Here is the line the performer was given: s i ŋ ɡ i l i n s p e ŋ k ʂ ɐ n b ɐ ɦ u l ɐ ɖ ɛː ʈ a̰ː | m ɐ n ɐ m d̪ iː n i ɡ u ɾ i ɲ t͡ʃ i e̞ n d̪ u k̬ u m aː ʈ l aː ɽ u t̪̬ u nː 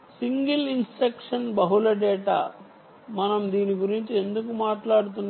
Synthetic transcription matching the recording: s i ŋ ɡ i l i n s p e k ʂ ɐ n b ɐ ɦ u l ɐ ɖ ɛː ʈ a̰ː | m ɐ n ɐ m d̪ iː n i ɡ u ɾ i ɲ t͡ʃ i e̞ n d̪ u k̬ u m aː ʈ l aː ɽ u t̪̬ u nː